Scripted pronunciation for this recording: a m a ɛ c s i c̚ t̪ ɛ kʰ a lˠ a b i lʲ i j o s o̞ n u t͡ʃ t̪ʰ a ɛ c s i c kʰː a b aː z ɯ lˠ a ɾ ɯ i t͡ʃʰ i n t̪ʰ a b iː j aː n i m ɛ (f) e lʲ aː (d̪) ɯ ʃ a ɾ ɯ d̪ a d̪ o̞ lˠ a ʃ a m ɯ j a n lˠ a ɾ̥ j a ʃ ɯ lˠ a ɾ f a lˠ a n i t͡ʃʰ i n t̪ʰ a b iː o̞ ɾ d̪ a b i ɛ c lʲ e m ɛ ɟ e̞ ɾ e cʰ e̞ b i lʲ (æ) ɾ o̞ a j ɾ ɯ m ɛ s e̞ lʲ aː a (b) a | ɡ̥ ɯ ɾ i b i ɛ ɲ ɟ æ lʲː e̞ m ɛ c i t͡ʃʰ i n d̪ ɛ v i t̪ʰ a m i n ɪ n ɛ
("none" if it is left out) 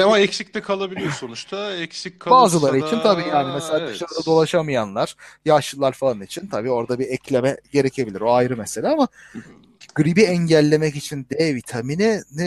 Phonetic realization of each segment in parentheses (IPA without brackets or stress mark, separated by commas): s, d̪, i, m